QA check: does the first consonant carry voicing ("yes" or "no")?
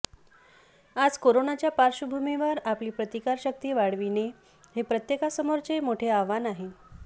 yes